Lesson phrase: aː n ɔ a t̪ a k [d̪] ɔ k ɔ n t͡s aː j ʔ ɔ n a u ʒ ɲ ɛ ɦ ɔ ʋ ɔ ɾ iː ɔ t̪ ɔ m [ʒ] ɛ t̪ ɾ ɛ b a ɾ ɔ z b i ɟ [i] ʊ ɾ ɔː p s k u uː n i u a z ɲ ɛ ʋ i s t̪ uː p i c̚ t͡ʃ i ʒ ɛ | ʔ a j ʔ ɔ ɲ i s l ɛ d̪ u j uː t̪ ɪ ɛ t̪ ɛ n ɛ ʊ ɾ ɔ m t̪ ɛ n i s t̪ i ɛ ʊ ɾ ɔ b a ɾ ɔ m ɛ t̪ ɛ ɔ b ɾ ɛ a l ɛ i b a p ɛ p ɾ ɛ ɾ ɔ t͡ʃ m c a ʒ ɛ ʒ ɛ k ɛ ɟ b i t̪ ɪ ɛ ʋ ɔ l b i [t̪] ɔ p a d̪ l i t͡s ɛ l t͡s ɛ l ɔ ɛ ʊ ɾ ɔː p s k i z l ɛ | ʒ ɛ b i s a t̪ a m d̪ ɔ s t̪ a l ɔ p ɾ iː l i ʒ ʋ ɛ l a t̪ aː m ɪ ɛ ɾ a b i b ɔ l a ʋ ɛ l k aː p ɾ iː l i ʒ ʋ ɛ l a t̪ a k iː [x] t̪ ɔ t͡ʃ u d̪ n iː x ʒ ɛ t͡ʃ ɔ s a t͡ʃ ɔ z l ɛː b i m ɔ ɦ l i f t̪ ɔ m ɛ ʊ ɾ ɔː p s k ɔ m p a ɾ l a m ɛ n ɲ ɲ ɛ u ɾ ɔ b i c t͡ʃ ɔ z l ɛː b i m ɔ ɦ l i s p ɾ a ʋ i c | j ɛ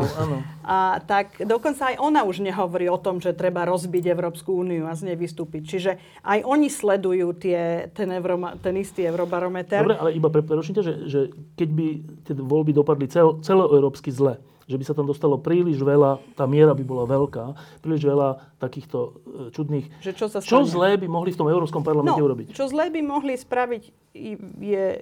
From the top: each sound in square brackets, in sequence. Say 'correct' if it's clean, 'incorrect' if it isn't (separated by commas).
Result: correct, correct, incorrect, incorrect, correct